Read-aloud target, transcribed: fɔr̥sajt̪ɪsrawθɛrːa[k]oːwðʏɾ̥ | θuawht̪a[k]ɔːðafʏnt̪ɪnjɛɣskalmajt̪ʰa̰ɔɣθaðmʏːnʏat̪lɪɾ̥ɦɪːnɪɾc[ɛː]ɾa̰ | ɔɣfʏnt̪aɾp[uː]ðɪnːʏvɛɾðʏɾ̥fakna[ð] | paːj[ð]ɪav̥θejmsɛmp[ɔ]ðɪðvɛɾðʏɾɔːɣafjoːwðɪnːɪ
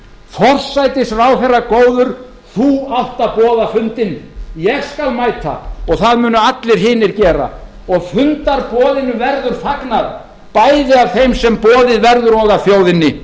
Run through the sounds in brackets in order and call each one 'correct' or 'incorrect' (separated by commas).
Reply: correct, incorrect, correct, incorrect, correct, correct, incorrect